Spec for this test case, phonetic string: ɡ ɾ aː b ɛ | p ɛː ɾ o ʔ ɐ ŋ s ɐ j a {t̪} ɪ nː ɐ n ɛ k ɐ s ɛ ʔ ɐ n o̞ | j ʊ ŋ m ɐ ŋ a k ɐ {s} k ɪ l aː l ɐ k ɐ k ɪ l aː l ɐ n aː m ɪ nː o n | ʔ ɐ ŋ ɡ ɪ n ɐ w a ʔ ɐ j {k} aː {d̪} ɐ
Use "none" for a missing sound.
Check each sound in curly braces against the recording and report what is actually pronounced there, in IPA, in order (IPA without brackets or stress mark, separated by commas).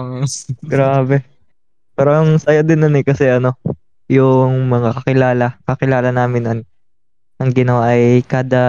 d̪, none, k, d̪